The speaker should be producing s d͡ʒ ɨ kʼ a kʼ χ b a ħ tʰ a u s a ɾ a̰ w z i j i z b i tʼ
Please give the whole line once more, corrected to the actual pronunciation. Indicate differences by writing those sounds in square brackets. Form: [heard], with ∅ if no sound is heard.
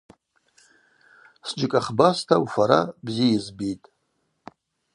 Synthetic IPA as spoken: s d͡ʒ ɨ kʼ a [∅] χ b a [s] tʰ a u [f] a ɾ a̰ [b] z i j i z b i tʼ